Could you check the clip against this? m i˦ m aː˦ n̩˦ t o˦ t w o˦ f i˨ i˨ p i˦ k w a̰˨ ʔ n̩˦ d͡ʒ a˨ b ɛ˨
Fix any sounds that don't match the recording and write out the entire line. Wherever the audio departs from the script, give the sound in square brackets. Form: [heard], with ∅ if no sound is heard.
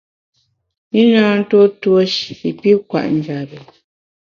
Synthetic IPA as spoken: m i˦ [n] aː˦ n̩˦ t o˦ t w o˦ [ʃ] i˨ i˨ p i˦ k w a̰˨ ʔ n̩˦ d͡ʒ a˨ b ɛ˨